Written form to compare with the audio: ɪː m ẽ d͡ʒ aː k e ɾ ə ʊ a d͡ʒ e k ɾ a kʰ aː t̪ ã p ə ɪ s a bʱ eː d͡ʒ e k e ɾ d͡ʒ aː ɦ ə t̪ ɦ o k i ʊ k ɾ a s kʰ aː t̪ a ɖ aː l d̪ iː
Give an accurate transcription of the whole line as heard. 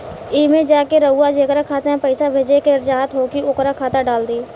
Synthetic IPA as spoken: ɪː m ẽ d͡ʒ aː k e ɾ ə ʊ a d͡ʒ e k ɾ a kʰ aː t̪ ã p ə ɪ s a bʱ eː d͡ʒ e k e ɾ d͡ʒ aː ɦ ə t̪ ɦ o k i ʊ k ɾ a kʰ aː t̪ a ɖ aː l d̪ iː